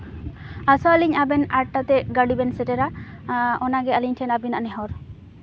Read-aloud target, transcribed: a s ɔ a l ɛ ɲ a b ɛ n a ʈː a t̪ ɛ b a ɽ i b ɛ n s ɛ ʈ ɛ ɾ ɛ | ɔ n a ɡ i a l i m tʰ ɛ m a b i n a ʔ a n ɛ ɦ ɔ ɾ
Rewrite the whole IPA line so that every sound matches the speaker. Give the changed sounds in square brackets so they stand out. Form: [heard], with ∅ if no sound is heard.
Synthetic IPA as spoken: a s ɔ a l [i] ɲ a b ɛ n a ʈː a t̪ ɛ [ɡ] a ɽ i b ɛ n s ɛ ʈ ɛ ɾ [a] | ɔ n a ɡ [ɛ] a l i [ɲ] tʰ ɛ [n] a b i n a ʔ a n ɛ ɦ ɔ ɾ